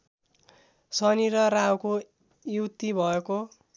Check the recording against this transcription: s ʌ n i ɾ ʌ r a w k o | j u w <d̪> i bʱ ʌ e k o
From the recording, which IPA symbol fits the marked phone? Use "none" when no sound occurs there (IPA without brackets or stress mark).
t̪